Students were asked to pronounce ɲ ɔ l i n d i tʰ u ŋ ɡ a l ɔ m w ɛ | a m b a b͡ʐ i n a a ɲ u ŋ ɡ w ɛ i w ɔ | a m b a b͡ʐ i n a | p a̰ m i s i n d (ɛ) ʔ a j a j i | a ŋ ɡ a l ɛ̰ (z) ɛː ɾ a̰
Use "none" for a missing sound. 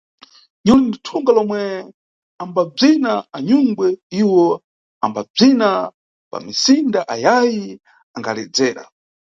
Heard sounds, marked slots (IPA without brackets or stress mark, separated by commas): a, d͡z